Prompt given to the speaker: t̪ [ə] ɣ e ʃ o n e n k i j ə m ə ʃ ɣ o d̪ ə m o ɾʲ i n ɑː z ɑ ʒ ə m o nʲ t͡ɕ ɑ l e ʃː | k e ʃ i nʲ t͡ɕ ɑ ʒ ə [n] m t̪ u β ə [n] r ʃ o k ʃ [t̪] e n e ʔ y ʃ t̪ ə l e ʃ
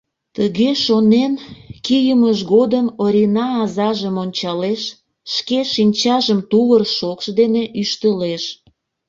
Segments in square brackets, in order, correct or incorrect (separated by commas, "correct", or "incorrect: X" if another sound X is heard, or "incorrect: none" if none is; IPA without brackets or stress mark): correct, incorrect: none, incorrect: none, incorrect: d̪